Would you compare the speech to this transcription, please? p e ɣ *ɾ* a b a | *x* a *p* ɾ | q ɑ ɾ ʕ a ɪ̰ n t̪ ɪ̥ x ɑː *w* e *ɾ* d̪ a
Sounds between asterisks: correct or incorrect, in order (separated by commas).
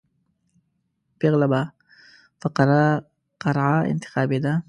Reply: incorrect, incorrect, incorrect, incorrect, incorrect